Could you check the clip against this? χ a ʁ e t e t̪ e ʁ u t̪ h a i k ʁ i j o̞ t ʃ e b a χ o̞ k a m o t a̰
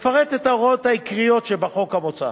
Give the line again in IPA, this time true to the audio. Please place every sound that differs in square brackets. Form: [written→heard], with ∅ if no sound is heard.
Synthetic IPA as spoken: [χ→f] a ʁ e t e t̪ [e→a] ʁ [u→o] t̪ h a i k ʁ i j o̞ t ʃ e b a χ o̞ k a m o [t→t͡s] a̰